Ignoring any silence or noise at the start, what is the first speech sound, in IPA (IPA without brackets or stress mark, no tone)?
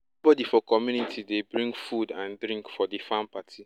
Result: b